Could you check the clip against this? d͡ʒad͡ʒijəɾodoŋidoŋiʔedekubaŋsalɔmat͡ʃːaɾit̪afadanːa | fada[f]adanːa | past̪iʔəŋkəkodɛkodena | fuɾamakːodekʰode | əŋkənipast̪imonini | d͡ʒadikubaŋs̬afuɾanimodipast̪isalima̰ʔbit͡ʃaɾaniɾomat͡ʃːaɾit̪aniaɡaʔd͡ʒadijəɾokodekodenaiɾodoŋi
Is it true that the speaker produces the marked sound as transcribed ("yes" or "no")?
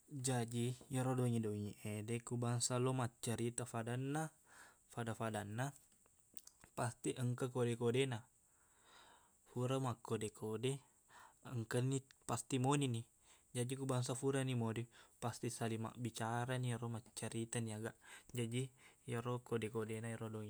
yes